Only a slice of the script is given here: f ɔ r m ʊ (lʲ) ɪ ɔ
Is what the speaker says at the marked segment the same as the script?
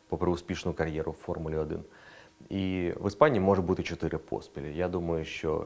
yes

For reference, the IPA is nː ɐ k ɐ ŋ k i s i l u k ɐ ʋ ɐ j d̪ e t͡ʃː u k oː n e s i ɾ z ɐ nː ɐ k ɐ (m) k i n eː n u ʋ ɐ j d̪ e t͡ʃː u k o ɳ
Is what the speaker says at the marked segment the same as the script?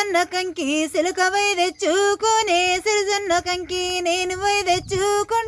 no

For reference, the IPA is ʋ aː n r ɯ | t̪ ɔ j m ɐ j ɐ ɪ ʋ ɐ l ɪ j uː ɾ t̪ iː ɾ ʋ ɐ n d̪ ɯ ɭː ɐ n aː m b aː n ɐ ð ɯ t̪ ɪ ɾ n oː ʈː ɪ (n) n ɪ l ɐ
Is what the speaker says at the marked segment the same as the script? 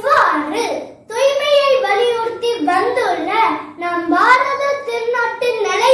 yes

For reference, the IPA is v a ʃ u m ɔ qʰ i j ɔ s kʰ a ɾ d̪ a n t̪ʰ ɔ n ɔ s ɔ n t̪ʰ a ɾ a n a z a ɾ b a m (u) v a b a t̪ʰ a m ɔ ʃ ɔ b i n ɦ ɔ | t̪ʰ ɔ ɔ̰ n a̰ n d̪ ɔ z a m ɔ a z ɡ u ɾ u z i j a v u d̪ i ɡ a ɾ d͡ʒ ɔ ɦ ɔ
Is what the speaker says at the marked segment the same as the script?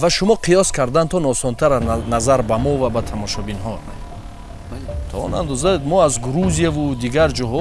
no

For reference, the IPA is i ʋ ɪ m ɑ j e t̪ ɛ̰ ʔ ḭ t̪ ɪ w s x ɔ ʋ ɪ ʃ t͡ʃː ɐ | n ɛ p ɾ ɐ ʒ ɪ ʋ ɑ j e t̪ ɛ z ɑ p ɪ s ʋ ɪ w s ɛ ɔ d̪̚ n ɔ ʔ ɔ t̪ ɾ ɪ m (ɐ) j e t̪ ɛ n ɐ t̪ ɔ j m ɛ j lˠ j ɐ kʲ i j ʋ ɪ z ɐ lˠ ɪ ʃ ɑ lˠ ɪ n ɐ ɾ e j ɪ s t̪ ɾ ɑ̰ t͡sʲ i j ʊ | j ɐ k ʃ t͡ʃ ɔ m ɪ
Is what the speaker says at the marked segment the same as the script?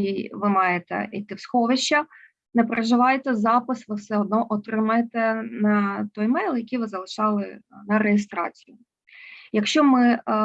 yes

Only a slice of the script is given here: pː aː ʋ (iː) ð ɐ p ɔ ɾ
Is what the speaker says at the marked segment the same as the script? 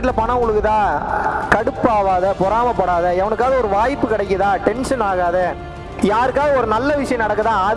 no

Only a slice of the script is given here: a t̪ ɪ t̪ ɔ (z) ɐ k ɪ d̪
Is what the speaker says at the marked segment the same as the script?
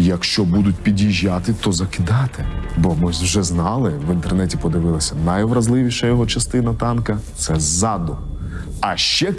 yes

